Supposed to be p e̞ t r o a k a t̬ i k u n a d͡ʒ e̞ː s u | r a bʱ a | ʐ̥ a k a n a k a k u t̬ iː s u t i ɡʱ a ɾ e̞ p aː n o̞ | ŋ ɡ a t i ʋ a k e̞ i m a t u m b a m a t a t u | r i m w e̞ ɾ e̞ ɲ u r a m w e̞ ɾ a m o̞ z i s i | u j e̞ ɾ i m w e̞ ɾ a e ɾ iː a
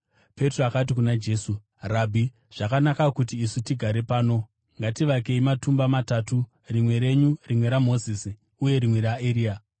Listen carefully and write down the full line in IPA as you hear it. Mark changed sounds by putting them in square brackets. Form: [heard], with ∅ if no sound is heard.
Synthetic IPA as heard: p e̞ t r o a k a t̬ i k u n a d͡ʒ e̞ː s u | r a bʱ [i] | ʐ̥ a k a n a k a k u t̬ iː s u t i ɡʱ a ɾ e̞ p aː n o̞ | ŋ ɡ a t i ʋ a k e̞ i m a t u m b a m a t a t u | r i m w e̞ ɾ e̞ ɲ u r [i] m w e̞ ɾ a m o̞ z i s i | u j e̞ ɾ i m w e̞ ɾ a e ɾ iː a